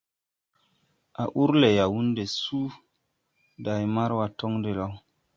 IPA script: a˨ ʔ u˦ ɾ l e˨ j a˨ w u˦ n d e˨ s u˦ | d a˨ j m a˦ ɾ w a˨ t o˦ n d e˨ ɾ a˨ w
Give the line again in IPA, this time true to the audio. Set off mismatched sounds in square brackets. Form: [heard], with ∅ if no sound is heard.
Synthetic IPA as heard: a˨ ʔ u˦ ɾ l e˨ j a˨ w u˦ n d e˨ s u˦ | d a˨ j m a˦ ɾ w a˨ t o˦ [ŋ] d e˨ [l] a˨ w